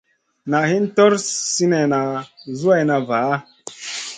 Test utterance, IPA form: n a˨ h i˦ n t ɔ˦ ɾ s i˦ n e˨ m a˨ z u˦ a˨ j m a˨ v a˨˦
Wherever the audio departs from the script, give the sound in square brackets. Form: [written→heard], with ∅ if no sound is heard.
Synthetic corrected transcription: n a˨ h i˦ n t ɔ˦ ɾ s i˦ n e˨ [m→n] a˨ z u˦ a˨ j [m→n] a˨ v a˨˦